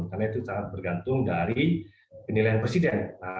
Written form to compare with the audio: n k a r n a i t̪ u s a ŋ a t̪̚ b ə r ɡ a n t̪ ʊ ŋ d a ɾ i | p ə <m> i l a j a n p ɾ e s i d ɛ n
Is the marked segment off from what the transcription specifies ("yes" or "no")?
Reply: yes